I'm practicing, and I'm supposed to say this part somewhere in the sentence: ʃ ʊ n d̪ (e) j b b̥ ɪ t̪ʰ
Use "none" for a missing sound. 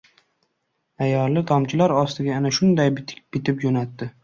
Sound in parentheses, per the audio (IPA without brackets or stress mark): a